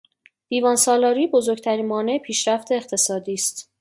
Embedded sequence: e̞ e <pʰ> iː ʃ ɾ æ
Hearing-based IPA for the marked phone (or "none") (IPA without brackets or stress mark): pʰ